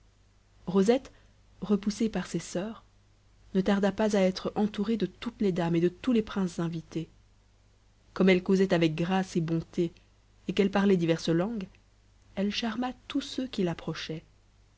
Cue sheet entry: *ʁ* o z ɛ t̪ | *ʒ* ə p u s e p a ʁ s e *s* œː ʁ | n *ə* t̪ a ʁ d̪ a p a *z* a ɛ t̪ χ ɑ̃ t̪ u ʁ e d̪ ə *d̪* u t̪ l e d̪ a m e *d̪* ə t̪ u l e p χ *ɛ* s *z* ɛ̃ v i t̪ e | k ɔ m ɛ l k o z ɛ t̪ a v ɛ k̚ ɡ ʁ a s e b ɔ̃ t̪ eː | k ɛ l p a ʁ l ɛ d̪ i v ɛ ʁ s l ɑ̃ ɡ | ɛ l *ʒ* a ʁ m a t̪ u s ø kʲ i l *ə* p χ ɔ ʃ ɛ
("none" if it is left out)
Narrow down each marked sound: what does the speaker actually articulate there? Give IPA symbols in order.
ʁ, ʁ, s, ə, z, t̪, d̪, ɛ̃, z, ʃ, a

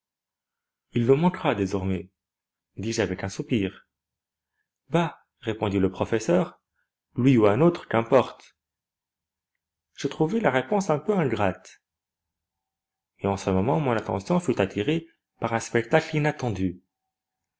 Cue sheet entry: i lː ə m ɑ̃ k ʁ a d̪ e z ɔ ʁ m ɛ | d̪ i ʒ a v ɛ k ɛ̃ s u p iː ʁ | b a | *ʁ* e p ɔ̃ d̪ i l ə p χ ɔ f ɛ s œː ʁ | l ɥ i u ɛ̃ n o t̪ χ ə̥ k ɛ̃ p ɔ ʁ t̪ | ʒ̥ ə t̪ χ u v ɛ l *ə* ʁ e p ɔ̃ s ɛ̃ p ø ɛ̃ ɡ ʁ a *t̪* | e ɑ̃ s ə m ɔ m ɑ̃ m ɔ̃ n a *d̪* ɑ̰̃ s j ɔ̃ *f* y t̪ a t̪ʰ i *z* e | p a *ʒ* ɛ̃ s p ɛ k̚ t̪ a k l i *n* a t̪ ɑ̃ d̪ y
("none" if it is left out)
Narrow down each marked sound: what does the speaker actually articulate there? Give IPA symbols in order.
ʁ, a, t̪, t̪, f, ʁ, ʁ, n

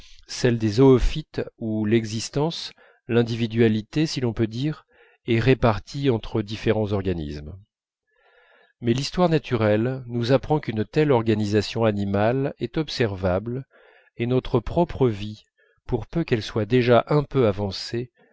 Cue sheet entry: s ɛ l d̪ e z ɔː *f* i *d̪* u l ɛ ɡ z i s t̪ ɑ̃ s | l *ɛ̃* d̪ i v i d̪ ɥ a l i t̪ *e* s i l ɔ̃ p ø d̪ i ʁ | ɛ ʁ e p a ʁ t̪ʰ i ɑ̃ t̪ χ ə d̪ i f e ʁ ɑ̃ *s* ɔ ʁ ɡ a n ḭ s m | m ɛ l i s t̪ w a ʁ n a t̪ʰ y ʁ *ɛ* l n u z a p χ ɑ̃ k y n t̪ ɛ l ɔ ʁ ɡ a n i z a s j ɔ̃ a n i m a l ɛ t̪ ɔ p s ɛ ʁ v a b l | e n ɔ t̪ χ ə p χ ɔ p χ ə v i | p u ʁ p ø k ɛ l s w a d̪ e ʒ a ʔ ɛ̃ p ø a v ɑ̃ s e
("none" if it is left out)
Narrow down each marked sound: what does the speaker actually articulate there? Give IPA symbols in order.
f, t̪, ɛ̃, e, z, ɛ

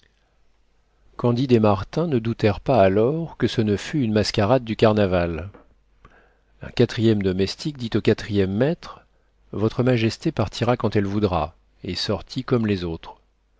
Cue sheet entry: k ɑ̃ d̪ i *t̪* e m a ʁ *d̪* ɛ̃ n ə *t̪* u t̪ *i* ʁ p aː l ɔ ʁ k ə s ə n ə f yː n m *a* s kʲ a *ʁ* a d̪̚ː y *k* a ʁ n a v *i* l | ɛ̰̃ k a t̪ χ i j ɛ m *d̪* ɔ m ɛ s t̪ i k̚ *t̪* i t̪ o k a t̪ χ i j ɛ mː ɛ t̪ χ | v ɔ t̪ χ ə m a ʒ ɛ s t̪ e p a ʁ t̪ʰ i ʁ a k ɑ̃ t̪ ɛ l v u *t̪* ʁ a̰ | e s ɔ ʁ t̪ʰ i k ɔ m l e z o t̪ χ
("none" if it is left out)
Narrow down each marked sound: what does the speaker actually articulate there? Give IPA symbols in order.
d̪, t̪, d̪, ɛ, a, ʁ, k, a, d̪, d̪, d̪

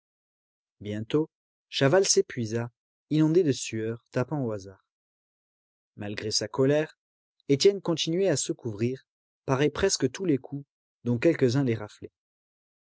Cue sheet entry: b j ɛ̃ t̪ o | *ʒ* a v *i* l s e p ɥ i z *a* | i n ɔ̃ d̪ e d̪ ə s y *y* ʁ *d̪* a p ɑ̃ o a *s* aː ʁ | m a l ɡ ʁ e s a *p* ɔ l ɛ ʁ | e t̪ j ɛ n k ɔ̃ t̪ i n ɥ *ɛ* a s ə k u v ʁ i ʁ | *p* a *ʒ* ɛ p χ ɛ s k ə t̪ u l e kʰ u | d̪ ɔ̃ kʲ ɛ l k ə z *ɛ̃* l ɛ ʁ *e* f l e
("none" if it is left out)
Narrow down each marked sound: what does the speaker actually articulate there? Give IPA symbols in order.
ʃ, a, a, œ, t̪, z, k, ɛ, p, ʁ, ɛ̃, a

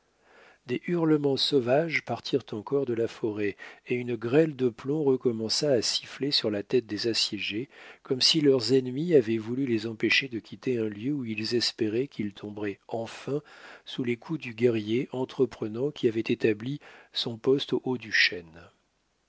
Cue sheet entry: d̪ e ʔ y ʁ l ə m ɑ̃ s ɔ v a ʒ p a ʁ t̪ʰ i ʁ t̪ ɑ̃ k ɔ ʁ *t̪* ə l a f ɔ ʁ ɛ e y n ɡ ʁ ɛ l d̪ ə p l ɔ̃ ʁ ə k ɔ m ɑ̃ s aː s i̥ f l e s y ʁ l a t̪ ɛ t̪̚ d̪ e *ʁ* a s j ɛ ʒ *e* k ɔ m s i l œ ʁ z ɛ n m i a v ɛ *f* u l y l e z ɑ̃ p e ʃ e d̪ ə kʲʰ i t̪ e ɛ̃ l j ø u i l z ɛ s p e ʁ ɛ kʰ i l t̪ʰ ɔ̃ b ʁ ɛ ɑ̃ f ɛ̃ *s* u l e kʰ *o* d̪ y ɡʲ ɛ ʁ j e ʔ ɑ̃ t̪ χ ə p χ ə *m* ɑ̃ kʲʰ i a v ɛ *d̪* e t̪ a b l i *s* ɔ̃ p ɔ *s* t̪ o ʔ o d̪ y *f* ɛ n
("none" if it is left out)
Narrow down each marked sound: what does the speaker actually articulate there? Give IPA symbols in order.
d̪, z, e, v, s, u, n, t̪, s, s, ʃ

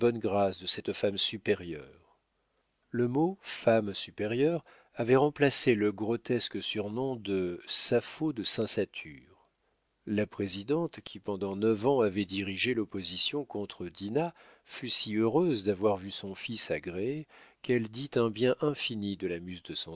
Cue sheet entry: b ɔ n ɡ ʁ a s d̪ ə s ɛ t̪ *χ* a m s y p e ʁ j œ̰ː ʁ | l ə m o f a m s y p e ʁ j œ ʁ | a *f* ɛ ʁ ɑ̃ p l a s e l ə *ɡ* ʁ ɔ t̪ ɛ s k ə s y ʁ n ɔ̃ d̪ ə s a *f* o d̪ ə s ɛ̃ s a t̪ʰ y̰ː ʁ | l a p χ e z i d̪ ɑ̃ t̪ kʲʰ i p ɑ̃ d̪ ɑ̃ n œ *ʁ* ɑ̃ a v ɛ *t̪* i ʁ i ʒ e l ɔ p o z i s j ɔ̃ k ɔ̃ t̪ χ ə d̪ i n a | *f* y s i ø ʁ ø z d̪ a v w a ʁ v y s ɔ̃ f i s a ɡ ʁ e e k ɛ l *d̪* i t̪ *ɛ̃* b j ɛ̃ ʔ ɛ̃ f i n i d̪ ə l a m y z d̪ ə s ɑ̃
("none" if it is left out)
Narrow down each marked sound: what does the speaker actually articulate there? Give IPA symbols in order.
f, v, ɡ, f, v, d̪, f, d̪, ɛ̃

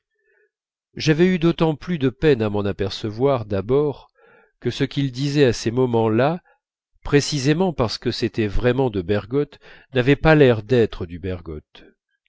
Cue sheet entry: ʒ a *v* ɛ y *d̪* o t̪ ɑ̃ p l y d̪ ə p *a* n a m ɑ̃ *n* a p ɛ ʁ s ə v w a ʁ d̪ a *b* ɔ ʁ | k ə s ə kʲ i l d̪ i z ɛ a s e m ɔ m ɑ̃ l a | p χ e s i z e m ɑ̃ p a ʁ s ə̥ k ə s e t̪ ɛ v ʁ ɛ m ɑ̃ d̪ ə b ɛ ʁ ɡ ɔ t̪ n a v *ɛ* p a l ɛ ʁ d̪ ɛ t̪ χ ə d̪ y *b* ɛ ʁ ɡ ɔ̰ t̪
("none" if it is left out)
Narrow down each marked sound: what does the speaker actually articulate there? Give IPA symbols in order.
v, d̪, ɛ, n, b, ɛ, b

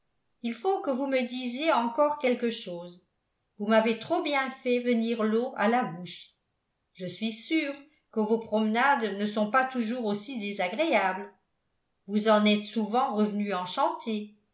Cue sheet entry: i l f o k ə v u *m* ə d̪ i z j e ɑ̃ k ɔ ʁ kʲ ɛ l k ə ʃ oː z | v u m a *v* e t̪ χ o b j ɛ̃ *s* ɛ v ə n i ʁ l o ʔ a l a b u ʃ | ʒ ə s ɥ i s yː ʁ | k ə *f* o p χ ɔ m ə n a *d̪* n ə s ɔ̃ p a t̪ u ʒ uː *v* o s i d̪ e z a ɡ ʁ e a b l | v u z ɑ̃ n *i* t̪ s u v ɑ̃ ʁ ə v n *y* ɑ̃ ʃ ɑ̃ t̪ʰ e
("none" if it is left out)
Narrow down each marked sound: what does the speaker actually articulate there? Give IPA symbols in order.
m, v, f, v, d̪, ʁ, ɛ, y

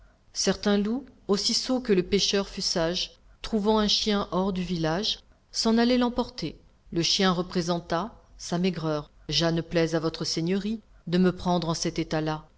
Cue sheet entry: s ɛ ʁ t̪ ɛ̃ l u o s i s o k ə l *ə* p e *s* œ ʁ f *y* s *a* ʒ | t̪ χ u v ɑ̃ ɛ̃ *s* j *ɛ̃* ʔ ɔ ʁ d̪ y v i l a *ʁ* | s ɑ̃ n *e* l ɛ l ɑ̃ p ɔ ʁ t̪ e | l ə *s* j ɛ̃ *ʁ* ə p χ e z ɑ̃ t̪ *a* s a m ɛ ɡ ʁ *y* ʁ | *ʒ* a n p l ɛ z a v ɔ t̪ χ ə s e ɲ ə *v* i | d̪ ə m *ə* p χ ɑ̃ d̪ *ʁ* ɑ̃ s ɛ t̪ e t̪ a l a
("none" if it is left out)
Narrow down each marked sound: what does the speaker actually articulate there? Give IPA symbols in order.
ə, ʃ, y, a, ʃ, ɛ̃, ʒ, a, ʃ, ʁ, a, œ, ʒ, ʁ, ə, ʁ

